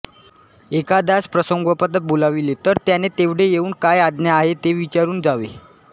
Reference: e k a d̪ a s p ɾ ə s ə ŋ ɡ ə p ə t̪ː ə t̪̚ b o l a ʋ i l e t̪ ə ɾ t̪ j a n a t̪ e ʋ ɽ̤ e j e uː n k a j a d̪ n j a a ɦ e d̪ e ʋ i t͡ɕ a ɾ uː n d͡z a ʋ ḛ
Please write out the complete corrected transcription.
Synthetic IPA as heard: e k a d̪ a s p ɾ ə s ə ŋ ɡ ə p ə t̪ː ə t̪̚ b o l a ʋ i l e t̪ ə ɾ t̪ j a n e t̪ e ʋ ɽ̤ e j e uː n k a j a d̪ n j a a ɦ e t̪ e ʋ i t͡ɕ a ɾ uː n d͡z a ʋ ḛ